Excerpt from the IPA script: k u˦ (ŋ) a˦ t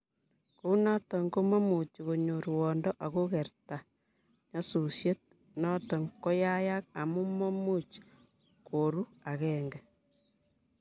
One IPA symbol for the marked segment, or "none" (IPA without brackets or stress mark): n